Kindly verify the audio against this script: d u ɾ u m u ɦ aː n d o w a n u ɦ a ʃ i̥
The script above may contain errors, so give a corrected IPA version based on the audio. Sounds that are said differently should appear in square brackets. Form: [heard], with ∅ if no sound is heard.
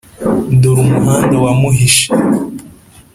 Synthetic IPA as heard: d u ɾ u m u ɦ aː n d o w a [m] u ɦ [i] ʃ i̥